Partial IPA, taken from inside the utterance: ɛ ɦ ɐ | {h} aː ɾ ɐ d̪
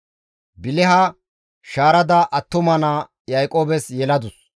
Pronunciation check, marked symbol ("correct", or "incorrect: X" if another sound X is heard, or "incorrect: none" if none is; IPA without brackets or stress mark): incorrect: ʃ